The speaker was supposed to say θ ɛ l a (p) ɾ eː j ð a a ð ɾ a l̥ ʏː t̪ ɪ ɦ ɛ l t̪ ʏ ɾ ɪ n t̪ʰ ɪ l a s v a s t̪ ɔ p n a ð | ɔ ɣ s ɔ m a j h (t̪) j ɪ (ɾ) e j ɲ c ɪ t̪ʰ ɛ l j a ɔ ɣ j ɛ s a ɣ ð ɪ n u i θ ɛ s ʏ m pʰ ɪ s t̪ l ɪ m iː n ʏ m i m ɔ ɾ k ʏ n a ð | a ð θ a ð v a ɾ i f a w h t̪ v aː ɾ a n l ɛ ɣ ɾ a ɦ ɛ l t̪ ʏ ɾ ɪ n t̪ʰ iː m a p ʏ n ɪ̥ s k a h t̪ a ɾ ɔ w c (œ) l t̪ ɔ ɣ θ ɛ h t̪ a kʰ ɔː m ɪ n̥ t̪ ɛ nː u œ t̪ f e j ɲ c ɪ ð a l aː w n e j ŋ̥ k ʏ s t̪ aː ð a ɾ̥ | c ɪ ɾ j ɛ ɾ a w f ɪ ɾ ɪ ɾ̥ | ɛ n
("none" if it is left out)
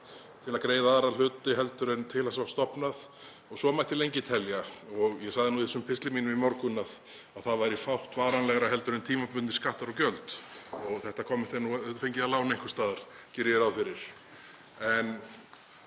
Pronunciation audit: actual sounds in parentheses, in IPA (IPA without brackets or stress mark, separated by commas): k, t̪, l, œ